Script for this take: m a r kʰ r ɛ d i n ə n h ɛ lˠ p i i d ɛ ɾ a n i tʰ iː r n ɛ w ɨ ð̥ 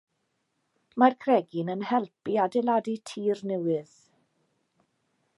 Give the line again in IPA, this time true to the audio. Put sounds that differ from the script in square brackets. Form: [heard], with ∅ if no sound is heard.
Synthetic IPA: m a r kʰ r ɛ [ɡ] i n ə n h ɛ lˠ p i [a] d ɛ [l] a [d] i tʰ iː r n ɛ w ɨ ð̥